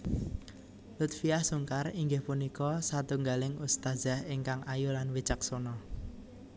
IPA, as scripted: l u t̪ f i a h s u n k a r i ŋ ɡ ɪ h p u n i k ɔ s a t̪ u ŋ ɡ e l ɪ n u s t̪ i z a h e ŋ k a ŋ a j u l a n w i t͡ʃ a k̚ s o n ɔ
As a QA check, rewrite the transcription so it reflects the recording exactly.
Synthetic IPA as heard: l u t̪ f i a h s u ŋ k a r i ŋ ɡ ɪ h p u n i k ɔ s a t̪ u ŋ ɡ a l ɪ ŋ u s t̪ a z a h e ŋ k a ŋ a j u l a n w i t͡ʃ a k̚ s o n ɔ

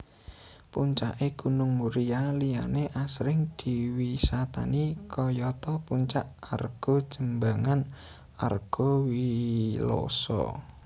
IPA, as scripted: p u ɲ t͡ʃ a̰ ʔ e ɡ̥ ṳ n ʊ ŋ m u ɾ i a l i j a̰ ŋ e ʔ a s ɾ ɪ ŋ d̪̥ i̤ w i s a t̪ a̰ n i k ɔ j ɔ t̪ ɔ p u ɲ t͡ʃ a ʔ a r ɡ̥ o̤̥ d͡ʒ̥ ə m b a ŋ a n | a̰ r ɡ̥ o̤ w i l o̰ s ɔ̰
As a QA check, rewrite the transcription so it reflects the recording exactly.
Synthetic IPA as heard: p u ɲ t͡ʃ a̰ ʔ e ɡ̥ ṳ n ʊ ŋ m u ɾ i a l i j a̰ n e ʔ a s ɾ ɪ ŋ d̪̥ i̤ w i s a t̪ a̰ n i k ɔ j ɔ t̪ ɔ p u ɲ t͡ʃ a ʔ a r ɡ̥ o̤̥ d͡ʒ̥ ə m b a ŋ a n | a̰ r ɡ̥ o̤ w i l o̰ s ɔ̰

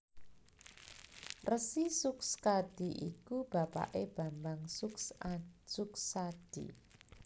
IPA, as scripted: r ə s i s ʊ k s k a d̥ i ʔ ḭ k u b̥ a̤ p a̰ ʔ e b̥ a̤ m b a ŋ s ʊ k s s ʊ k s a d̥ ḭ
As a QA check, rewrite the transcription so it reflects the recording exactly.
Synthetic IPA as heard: r ə s i s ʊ k s k a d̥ i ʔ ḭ k u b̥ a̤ p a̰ ʔ e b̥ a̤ m b a ŋ s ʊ k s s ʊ k s a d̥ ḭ

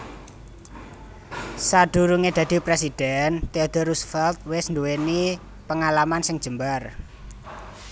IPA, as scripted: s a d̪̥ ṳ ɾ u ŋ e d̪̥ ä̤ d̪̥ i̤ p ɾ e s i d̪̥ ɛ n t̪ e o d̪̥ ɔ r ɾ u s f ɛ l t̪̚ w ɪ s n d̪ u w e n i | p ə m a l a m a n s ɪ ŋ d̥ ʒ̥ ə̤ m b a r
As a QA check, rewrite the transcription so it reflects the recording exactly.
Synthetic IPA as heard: s a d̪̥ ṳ ɾ u ŋ e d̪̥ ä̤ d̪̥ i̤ p ɾ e s i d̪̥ ɛ n t̪ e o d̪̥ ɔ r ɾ u s f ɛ l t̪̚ w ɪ s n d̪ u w e n i | p ə ŋ a l a m a n s ɪ ŋ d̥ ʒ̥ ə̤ m b a r

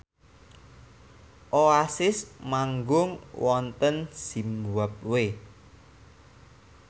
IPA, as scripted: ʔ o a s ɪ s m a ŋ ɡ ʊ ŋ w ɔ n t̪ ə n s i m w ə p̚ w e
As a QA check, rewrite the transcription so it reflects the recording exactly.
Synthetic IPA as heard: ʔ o a s ɪ s m a ŋ ɡ ʊ ŋ w ɔ n t̪ ə n s i m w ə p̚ w e

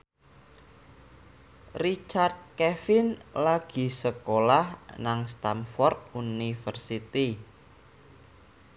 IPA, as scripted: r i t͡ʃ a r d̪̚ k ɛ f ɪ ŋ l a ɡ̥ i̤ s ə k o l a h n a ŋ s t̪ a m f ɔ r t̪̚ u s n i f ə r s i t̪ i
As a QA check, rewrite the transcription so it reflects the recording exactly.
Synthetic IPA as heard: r i t͡ʃ a r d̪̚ k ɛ f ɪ n l a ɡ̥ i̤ s ə k o l a h n a ŋ s t̪ a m f ɔ r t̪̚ u n i f ə r s i t̪ i

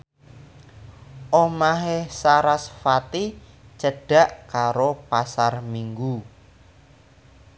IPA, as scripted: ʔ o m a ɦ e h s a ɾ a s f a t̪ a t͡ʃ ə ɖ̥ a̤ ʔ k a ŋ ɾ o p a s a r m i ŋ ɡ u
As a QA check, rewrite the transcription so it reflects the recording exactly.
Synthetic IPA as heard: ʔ o m a ɦ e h s a ɾ a s f a t̪ i t͡ʃ ə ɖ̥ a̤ ʔ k a ɾ o p a s a r m i ŋ ɡ u

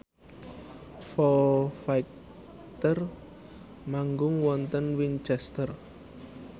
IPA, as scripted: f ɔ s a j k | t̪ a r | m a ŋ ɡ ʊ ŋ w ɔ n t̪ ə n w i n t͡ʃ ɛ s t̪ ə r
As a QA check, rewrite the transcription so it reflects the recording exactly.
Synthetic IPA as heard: f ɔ f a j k | t̪ ə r | m a ŋ ɡ ʊ ŋ w ɔ n t̪ ə n w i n t͡ʃ ɛ s t̪ ə r

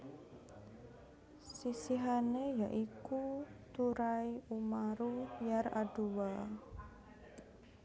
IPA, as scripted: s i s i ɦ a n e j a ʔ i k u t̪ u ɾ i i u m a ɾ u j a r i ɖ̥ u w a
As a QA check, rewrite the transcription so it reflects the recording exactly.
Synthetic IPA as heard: s i s i ɦ a n e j a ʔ i k u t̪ u ɾ a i u m a ɾ u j a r a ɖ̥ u w a

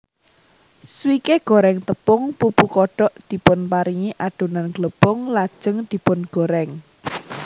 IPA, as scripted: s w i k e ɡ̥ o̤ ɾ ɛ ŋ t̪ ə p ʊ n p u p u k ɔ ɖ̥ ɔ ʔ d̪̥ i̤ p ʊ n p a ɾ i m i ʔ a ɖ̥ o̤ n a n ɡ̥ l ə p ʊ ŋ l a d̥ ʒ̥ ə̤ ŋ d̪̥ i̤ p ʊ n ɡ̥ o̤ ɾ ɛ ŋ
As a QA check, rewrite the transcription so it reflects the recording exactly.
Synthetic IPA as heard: s w i k e ɡ̥ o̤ ɾ ɛ ŋ t̪ ə p ʊ ŋ p u p u k ɔ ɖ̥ ɔ ʔ d̪̥ i̤ p ʊ n p a ɾ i ŋ i ʔ a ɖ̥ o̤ n a n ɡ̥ l ə p ʊ ŋ l a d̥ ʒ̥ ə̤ ŋ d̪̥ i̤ p ʊ n ɡ̥ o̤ ɾ ɛ ŋ

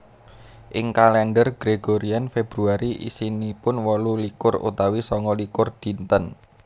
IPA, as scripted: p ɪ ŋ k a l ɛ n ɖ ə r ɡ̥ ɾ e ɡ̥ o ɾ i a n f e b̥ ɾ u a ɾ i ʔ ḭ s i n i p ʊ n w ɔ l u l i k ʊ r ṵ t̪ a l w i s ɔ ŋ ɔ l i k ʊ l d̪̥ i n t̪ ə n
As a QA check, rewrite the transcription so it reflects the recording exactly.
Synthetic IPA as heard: ʔ ɪ ŋ k a l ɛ n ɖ ə r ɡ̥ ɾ e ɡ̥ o ɾ i a n f e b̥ ɾ u a ɾ i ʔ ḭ s i n i p ʊ n w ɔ l u l i k ʊ r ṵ t̪ a w i s ɔ ŋ ɔ l i k ʊ r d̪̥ i n t̪ ə n

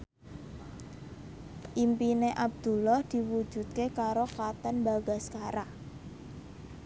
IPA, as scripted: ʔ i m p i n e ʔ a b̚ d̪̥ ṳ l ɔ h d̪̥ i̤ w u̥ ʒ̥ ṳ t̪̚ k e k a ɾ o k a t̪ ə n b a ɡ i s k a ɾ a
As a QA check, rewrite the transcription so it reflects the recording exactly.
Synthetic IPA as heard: ʔ i m p i n e ʔ a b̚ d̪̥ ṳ l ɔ h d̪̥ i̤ w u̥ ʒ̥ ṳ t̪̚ k e k a ɾ o k a t̪ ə n b a ɡ a s k a ɾ a

